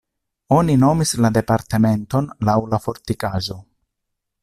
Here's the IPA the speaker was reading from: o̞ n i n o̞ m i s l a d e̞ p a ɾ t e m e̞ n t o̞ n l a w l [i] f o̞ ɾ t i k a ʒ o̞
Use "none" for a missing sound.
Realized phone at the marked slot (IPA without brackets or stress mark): a